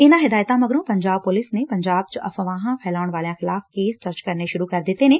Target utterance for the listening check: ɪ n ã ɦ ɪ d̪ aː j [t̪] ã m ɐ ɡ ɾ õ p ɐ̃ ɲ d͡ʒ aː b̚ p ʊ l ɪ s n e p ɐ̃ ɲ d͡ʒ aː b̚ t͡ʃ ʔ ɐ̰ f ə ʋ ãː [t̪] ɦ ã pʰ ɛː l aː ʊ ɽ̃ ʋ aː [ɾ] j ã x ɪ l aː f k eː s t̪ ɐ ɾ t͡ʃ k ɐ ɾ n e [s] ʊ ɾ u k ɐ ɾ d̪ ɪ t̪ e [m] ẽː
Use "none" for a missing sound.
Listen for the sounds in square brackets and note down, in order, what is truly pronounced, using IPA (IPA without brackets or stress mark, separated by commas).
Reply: t̪, none, l, ʃ, n